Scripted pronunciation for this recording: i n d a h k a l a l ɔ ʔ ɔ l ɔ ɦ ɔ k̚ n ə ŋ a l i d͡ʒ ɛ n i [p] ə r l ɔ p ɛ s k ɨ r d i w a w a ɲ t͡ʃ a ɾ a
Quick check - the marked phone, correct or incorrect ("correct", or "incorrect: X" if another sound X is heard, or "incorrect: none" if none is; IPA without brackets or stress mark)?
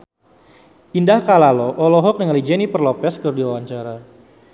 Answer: correct